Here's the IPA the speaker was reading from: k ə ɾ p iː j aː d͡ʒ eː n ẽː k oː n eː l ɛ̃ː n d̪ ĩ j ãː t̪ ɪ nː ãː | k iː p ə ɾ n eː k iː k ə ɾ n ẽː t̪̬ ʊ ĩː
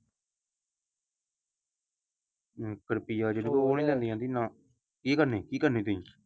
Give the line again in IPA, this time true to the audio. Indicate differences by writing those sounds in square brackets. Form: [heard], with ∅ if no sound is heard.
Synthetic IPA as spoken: k ə ɾ p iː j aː d͡ʒ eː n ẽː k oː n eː l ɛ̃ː n d̪ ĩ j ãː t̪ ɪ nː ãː | k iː [k] ə ɾ n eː k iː k ə ɾ n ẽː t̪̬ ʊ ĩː